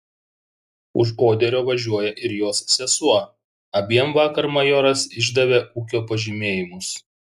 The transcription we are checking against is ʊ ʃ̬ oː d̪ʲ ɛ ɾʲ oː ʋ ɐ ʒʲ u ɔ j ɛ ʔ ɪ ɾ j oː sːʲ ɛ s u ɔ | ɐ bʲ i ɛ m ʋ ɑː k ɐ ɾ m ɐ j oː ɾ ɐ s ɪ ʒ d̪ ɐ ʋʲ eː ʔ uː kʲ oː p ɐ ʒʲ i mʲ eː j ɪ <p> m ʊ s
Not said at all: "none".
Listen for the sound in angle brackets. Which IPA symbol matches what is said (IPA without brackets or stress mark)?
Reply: none